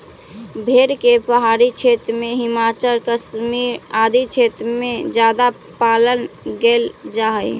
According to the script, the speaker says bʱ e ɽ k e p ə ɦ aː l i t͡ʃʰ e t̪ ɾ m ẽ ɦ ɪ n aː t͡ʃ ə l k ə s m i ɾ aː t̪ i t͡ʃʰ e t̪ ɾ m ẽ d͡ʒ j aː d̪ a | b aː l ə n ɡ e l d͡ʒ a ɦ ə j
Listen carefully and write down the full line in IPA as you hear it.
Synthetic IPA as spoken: bʱ e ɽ k e p ə ɦ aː ɾ i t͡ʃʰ e t̪ ɾ m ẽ ɦ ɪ m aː t͡ʃ ə l k ə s m i ɾ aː d̪ i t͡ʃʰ e t̪ ɾ m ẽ d͡ʒ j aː d̪ a | p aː l ə n ɡ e l d͡ʒ a ɦ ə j